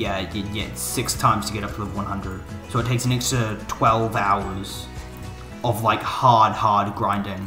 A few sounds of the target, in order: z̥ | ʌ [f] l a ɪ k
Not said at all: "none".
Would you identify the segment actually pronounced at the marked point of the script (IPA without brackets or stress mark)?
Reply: v